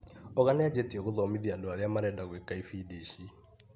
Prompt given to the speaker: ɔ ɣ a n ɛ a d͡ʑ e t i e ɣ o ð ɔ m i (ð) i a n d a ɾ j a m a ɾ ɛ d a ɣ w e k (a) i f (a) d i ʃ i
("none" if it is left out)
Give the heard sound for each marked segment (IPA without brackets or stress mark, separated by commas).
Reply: ð, a, i